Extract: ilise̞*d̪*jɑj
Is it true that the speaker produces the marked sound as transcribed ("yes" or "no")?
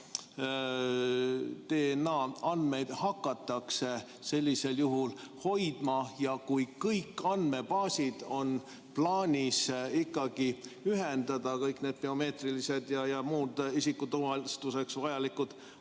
yes